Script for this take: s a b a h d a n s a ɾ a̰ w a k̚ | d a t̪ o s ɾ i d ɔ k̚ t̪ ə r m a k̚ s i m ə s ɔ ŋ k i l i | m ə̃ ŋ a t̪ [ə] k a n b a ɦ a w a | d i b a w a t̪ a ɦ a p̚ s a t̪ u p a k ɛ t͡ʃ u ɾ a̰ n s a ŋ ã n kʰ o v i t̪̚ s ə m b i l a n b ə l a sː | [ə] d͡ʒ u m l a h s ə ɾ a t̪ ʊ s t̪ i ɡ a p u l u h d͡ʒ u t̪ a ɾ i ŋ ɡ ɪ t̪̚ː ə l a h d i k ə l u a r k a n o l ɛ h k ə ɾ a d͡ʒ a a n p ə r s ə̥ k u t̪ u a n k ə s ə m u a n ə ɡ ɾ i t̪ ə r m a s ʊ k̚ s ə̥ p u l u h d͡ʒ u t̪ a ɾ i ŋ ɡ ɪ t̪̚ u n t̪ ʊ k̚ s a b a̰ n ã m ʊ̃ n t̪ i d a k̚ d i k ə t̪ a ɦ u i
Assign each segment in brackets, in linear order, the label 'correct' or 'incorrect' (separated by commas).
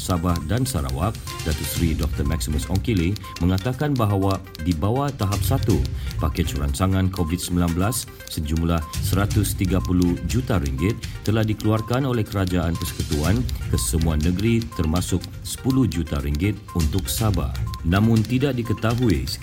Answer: incorrect, correct